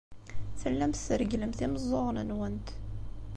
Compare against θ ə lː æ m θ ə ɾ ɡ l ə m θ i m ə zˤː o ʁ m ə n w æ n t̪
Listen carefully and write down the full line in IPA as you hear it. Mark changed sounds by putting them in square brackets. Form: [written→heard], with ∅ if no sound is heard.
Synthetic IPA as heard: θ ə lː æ m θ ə ɾ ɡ l ə m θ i m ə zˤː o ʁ [m→n] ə n w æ n t̪